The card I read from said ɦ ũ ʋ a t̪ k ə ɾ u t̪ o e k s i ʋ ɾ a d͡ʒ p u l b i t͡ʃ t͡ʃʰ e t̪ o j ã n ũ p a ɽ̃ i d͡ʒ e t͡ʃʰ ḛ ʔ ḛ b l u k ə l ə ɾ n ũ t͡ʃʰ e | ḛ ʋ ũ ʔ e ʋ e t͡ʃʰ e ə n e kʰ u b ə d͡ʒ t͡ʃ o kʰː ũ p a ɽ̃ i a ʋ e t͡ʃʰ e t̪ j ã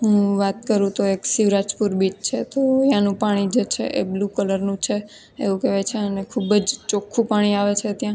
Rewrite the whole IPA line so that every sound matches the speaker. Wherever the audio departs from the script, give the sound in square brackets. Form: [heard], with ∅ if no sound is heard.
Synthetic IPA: ɦ ũ ʋ a t̪ k ə ɾ [ũ] t̪ o e k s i ʋ ɾ a d͡ʒ p u [ɾ] b i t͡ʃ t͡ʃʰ e t̪ o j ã n ũ p a ɽ̃ i d͡ʒ e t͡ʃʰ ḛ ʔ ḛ b l u k ə l ə ɾ n ũ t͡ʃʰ e | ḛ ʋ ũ [k] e ʋ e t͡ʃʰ e ə n e kʰ u b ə d͡ʒ t͡ʃ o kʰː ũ p a ɽ̃ i a ʋ e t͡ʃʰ e t̪ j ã